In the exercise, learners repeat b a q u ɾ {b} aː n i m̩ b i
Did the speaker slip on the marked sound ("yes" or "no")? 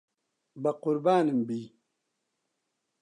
no